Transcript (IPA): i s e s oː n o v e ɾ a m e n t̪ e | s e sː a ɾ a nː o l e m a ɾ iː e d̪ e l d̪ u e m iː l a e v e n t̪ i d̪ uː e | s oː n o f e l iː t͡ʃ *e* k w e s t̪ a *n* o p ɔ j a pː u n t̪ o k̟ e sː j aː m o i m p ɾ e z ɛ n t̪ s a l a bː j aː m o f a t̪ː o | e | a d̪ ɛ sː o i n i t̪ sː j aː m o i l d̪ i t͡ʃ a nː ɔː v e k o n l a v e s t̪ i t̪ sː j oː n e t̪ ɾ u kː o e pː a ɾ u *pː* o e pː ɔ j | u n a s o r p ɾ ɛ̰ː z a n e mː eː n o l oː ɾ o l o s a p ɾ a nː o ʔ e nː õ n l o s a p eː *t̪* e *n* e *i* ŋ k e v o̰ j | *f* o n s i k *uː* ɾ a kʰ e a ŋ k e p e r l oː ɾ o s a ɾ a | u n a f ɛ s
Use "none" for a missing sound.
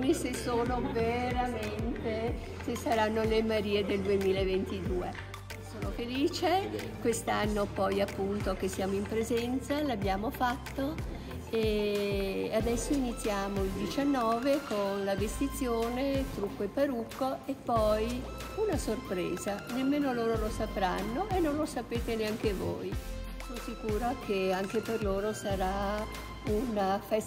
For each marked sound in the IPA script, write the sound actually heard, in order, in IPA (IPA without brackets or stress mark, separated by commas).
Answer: e, nː, kː, t̪, n, a, s, uː